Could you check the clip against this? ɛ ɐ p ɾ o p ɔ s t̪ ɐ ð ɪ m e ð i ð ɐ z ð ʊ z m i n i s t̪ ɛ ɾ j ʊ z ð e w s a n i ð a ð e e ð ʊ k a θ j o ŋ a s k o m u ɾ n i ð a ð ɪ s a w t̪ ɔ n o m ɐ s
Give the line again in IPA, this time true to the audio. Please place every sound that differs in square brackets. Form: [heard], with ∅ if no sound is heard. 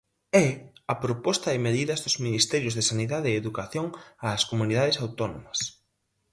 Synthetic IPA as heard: ɛ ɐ p ɾ o p ɔ s t̪ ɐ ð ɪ m e ð i ð ɐ z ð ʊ z m i n i s t̪ ɛ ɾ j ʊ z ð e [∅] s a n i ð a ð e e ð [u] k a θ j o ŋ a s k o m u [∅] n i ð a ð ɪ s a w t̪ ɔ n o m ɐ s